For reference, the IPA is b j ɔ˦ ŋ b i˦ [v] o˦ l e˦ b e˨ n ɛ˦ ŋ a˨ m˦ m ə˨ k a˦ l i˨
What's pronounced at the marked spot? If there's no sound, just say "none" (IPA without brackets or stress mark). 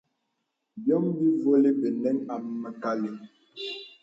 v